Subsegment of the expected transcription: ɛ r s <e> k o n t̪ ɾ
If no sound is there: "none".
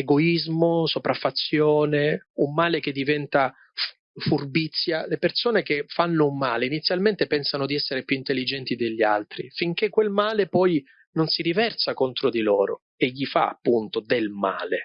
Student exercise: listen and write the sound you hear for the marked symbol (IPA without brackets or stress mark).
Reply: a